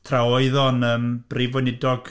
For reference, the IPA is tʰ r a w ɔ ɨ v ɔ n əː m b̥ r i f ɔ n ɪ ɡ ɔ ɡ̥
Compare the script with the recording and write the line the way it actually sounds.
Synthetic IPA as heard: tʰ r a w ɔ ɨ ð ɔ n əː m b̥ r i v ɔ n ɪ d ɔ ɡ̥